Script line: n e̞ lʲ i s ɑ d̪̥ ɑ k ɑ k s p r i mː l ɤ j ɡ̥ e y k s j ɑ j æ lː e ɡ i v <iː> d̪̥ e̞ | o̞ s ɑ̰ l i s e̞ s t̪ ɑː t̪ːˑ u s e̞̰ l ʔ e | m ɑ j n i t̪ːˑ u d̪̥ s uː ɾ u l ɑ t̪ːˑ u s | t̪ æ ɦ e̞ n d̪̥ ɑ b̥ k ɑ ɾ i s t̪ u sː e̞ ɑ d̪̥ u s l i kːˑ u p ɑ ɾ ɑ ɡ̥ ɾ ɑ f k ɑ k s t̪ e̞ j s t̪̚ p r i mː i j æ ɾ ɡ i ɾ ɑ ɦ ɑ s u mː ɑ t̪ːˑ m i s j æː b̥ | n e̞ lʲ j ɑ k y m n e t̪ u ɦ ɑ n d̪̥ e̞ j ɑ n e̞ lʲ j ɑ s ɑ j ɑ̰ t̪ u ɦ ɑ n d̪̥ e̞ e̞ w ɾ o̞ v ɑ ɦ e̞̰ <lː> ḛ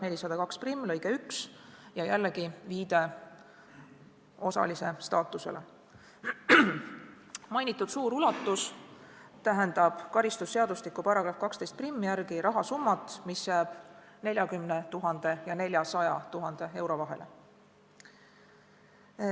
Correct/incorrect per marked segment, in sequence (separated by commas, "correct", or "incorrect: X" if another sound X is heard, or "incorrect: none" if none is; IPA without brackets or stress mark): correct, incorrect: l